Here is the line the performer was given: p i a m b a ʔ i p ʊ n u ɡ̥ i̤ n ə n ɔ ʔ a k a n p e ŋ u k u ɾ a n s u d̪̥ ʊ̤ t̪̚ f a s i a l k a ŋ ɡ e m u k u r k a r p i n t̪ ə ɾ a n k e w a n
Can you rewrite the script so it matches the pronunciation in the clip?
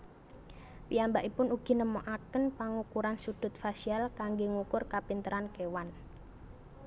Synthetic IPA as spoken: p i a m b a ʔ i p ʊ n u ɡ̥ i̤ n ə m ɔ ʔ a k ə n p a ŋ u k u ɾ a n s u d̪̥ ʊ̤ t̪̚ f a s i a l k a ŋ ɡ e ŋ u k ʊ r k a p i n t̪ ə ɾ a n k e w a n